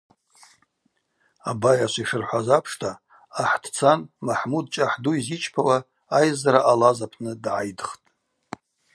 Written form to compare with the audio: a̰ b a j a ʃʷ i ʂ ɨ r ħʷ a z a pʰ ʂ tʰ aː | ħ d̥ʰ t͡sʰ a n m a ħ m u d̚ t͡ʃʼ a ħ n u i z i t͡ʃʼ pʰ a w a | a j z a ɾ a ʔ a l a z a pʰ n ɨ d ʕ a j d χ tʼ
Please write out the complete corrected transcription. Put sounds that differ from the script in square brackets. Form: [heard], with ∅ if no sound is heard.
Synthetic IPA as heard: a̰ b a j a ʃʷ i ʂ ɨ r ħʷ a z a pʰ ʂ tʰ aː | ħ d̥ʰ t͡sʰ a n m a ħ m u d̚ t͡ʃʼ a ħ [d] u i z i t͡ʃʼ pʰ a w a | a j z a ɾ a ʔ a l a z a pʰ n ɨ d ʕ a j d χ tʼ